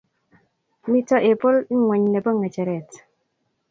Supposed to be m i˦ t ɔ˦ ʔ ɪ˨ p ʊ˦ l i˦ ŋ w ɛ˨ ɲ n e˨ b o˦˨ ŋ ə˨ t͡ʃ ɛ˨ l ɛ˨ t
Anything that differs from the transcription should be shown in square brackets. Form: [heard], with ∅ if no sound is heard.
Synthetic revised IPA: m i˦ t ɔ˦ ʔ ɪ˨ p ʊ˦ l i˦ ŋ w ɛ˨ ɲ n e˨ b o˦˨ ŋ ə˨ t͡ʃ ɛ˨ [ɾ] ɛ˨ t